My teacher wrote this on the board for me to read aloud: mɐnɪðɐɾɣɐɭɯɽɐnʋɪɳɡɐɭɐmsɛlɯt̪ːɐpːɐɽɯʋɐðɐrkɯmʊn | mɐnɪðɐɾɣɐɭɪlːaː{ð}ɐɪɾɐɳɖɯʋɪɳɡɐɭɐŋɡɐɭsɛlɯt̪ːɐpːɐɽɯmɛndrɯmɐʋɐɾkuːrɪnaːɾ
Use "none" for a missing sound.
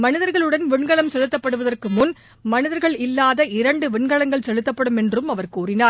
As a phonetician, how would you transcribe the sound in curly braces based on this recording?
ð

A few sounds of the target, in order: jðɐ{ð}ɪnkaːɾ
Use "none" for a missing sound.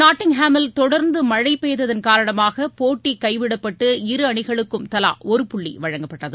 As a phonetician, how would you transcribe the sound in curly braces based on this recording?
ð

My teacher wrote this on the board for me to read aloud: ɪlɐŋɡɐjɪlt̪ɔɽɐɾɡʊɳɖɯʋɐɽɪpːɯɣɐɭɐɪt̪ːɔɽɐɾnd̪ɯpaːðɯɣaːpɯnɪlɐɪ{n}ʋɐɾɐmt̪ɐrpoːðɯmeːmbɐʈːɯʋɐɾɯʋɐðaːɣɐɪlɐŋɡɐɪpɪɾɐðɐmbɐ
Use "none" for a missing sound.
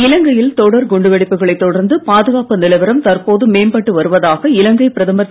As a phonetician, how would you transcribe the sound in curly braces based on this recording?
none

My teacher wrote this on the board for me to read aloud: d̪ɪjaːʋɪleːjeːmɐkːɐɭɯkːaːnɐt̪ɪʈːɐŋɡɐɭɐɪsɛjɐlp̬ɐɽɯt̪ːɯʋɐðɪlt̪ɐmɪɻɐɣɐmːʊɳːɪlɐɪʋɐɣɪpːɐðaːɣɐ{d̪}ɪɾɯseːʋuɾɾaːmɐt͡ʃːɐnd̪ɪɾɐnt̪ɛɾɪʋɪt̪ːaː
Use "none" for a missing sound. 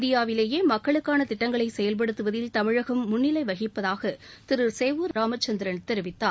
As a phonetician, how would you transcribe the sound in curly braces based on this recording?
t̪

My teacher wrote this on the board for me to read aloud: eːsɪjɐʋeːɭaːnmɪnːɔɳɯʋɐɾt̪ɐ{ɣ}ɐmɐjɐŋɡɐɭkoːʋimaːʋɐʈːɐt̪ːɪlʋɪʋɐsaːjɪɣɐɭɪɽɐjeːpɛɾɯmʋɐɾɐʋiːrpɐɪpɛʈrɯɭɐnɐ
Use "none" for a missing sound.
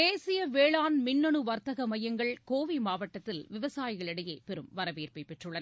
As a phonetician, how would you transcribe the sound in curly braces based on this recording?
ɣ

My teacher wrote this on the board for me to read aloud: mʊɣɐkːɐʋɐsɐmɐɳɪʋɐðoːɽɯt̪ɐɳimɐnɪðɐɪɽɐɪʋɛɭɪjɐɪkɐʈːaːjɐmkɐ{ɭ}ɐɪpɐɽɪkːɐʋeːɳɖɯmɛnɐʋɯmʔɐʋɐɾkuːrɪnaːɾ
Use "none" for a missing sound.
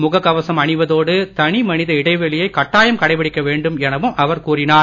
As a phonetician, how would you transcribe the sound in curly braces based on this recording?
ɽ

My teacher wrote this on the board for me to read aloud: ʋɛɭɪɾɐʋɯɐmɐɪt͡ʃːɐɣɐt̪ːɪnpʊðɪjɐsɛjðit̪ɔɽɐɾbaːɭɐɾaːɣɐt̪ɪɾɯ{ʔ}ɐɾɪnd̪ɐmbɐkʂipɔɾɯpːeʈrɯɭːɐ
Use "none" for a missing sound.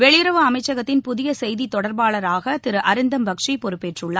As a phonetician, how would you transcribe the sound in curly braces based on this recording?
ʔ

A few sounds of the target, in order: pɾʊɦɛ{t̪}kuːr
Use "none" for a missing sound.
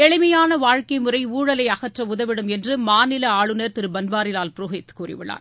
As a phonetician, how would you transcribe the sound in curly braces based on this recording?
t̪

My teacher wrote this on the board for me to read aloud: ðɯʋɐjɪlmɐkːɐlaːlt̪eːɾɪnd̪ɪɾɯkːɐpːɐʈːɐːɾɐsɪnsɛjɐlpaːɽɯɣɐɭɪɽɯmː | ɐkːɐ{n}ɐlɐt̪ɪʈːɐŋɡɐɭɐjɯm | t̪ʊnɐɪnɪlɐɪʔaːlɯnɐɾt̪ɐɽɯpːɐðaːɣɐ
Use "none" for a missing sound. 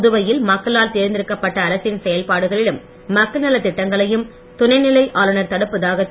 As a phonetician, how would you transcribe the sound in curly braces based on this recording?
n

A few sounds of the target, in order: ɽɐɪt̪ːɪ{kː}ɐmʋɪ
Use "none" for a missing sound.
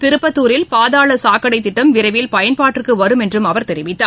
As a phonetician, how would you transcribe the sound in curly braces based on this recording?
ʈː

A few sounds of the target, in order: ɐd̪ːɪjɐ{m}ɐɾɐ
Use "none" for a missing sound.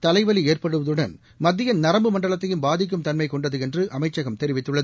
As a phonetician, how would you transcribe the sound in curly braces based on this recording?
n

